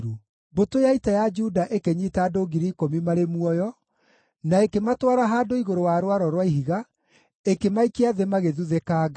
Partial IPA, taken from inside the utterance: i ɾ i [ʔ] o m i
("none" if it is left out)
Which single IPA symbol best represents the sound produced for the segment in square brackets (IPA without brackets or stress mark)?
k